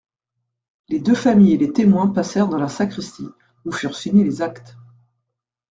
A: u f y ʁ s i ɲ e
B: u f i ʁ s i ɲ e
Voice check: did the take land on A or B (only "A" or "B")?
A